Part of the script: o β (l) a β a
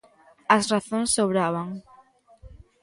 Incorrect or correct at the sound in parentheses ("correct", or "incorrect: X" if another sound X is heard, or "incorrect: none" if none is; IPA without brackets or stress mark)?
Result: incorrect: ɾ